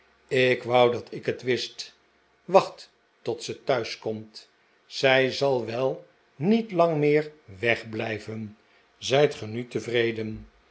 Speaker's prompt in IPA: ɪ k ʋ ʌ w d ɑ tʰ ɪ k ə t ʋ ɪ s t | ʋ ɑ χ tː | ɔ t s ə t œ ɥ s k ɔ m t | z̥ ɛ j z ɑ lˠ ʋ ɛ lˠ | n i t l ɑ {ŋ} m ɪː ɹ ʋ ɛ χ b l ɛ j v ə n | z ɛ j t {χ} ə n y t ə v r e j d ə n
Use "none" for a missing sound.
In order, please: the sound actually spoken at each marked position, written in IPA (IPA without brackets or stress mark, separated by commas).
ŋ, χ